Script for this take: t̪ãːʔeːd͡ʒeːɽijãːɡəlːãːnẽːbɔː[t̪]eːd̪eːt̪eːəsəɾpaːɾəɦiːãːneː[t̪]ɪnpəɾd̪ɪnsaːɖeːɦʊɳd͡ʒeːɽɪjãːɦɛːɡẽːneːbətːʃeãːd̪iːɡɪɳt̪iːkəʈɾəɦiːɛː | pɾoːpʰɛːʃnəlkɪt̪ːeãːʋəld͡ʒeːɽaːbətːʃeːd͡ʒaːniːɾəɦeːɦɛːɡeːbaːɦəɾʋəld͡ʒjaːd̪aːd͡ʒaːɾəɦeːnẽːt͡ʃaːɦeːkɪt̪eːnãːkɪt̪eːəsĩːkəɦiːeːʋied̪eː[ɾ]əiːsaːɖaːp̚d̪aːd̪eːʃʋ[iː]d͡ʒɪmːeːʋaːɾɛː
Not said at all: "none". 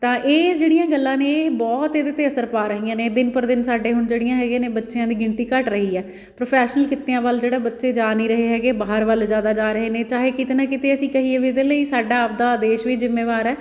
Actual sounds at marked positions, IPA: t̪, d̪, l, iː

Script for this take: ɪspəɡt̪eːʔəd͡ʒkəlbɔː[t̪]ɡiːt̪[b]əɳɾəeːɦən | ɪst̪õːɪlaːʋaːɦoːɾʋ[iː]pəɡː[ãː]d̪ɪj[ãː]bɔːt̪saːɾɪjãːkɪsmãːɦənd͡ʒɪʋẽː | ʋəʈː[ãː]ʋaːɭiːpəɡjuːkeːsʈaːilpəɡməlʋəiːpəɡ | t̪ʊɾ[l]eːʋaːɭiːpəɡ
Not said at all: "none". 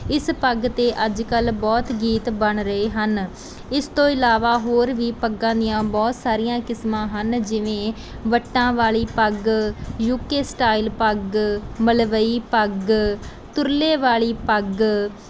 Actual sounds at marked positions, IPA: t̪, b, iː, ãː, ãː, ãː, l

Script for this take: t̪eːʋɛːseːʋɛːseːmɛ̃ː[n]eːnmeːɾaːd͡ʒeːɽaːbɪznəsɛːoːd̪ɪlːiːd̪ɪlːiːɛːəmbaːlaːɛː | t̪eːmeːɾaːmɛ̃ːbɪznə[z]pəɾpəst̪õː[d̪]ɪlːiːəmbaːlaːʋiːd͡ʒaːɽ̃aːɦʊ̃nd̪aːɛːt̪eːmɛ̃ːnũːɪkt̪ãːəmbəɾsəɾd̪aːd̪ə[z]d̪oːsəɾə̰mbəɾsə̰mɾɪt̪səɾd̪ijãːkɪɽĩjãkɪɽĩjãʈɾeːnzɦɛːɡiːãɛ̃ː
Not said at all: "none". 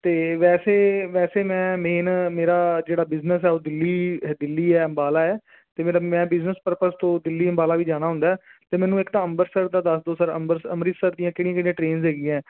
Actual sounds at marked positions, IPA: m, s, d̪, s

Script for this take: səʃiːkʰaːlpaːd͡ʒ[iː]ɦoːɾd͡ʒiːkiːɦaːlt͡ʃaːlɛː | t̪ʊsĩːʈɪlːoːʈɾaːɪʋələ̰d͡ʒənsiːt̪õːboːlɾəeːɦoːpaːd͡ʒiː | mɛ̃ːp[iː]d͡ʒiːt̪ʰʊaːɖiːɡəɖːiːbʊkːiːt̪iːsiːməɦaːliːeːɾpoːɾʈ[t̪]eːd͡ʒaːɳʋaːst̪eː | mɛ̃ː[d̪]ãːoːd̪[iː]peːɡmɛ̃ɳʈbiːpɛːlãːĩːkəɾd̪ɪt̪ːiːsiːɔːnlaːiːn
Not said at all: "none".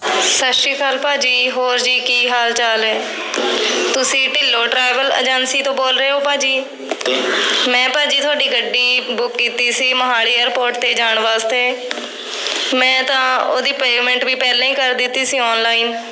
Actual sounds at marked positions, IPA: iː, aː, t̪, t̪, iː

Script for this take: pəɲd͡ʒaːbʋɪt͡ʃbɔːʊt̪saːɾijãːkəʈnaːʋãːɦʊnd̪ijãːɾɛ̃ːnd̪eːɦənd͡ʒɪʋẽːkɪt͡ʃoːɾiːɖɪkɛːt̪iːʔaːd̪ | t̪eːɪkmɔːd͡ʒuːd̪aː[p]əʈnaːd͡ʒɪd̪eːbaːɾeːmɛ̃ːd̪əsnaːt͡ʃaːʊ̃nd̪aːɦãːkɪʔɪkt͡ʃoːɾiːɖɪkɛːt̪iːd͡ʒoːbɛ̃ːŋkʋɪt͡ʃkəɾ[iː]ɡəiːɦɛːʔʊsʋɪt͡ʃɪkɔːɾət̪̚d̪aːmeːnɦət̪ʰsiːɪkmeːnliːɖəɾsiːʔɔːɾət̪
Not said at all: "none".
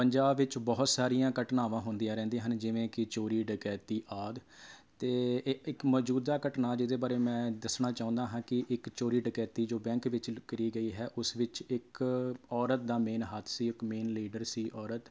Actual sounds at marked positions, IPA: k, iː

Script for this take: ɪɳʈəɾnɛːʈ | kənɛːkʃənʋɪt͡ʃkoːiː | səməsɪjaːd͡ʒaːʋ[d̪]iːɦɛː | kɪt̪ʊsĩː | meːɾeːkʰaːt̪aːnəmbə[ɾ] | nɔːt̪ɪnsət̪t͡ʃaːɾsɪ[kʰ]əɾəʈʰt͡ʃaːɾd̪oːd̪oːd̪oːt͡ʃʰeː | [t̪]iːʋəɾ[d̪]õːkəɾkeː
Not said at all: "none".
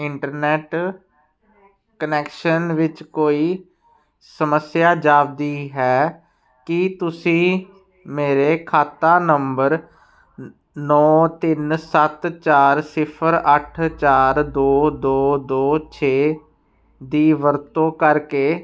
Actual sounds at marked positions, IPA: d̪, ɾ, pʰ, d̪, t̪

